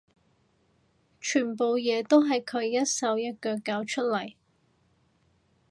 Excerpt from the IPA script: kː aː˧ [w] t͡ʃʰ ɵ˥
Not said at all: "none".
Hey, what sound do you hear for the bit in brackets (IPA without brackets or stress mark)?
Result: w